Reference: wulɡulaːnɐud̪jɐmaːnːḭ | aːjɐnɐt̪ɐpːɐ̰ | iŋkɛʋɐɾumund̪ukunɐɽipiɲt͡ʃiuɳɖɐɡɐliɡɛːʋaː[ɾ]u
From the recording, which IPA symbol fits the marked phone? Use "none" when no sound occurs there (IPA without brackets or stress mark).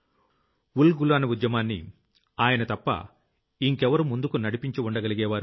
ɾ